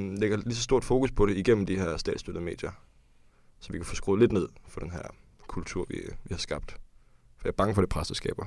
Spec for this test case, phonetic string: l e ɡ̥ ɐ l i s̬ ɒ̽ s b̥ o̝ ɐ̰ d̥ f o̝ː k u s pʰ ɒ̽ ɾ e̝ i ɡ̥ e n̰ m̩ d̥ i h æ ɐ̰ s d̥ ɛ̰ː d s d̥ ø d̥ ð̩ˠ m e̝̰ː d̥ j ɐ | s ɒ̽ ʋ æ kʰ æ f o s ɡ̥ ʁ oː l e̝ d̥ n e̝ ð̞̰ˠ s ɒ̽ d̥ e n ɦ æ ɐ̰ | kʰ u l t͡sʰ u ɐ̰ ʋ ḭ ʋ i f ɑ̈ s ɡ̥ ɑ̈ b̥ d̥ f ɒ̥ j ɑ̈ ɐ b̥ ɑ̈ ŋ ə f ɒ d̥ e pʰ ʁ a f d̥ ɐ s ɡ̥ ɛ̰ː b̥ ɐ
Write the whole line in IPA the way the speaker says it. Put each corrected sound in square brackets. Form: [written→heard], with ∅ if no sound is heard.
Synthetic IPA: l e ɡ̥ ɐ l i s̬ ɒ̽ s [b̥→d̥] o̝ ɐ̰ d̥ f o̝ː k u s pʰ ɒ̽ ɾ e̝ i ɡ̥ e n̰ m̩ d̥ i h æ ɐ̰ s d̥ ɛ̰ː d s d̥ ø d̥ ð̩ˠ m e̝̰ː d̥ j ɐ | s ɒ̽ ʋ [æ→i] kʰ æ f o s ɡ̥ ʁ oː l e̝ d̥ n e̝ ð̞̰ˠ [s→f] ɒ̽ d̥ e n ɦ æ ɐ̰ | kʰ u l t͡sʰ u ɐ̰ ʋ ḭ ʋ i [f→h] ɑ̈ s ɡ̥ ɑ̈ b̥ d̥ f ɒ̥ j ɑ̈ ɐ b̥ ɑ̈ ŋ ə f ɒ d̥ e pʰ ʁ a [f→s] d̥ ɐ s ɡ̥ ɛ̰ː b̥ ɐ